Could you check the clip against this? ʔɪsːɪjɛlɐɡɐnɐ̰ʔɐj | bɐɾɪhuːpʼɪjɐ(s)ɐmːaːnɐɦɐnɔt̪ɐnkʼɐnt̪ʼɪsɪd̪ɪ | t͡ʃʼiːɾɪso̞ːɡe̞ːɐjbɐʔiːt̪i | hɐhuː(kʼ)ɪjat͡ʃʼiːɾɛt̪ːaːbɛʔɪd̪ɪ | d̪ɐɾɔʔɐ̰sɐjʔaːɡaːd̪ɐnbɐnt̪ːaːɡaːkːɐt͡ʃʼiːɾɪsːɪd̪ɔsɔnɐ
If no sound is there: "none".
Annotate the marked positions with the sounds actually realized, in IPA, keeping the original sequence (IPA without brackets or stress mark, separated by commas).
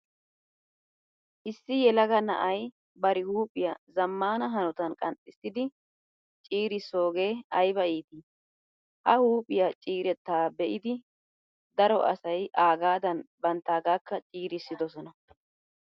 z, pʼ